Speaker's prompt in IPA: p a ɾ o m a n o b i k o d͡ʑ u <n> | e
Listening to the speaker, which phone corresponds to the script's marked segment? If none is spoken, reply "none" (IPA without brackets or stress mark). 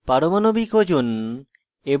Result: n